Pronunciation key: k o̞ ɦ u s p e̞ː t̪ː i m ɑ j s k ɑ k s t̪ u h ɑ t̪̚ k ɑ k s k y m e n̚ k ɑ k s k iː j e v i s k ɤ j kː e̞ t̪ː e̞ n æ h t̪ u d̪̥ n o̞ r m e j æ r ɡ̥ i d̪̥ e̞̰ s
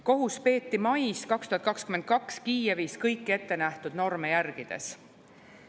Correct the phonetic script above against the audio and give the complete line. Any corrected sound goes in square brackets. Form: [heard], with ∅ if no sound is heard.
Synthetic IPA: k o̞ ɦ u s p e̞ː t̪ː i m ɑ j s k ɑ k s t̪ u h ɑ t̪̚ k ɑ k s k y m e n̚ k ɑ k s k iː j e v [iː] s k ɤ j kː e̞ t̪ː e̞ n æ h t̪ u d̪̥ n o̞ r m e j æ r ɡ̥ i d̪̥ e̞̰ s